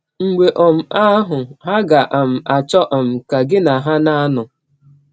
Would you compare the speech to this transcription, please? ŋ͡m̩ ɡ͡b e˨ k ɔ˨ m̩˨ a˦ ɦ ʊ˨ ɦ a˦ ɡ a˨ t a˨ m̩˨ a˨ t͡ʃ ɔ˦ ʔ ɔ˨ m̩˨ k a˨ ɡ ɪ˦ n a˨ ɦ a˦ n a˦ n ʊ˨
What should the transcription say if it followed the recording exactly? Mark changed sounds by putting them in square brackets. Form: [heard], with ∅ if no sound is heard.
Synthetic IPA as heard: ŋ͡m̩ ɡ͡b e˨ [ʔ] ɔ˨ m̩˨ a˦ ɦ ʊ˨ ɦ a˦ ɡ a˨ [ʔ] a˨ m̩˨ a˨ t͡ʃ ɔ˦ ʔ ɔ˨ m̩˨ k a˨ ɡ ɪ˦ n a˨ ɦ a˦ n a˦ n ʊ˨